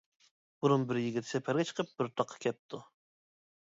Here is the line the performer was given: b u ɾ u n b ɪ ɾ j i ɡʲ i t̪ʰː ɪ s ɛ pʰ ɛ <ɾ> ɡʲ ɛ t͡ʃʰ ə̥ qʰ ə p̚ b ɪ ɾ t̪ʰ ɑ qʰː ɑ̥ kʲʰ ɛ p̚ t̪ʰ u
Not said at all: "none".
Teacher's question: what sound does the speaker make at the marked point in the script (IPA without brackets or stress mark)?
ɾ